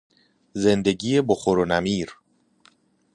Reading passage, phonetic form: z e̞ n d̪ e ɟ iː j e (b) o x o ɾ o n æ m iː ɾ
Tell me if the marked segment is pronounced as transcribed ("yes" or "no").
yes